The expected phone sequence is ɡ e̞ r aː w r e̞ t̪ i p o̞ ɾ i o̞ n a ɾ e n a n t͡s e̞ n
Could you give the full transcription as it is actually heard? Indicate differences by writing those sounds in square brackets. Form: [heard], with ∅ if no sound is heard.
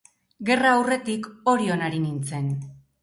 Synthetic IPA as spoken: ɡ e̞ r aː w r e̞ t̪ i [k] o̞ ɾ i o̞ n a ɾ [i] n [i] n t͡s e̞ n